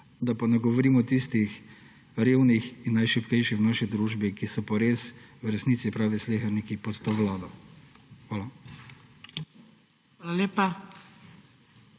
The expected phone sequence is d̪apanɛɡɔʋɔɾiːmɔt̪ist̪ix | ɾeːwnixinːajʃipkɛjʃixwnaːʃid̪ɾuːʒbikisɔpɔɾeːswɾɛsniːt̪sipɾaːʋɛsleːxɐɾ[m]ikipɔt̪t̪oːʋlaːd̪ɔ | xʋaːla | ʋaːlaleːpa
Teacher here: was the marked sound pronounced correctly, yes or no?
no